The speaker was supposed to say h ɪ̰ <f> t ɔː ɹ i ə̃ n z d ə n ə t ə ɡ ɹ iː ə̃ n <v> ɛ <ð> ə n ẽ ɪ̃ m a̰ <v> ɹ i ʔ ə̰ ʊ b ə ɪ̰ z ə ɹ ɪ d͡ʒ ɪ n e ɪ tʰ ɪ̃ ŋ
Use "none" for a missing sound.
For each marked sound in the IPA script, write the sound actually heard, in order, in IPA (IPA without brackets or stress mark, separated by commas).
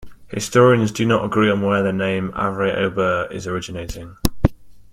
s, w, ð, v